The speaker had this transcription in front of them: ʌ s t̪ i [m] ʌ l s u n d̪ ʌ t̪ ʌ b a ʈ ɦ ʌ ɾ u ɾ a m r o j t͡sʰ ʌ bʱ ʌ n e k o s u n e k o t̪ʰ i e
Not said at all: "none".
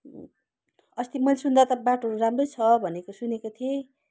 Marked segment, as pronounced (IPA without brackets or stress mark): m